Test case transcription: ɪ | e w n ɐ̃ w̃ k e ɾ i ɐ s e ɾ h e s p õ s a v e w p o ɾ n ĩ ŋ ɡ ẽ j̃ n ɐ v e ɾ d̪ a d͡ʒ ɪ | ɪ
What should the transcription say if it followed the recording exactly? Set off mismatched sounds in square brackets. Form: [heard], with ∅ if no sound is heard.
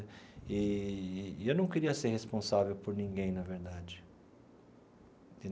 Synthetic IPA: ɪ | e w n ɐ̃ w̃ k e ɾ i ɐ s e ɾ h e s p õ s a v e w p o ɾ n ĩ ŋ ɡ ẽ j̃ n ɐ v e ɾ d̪ a d͡ʒ ɪ | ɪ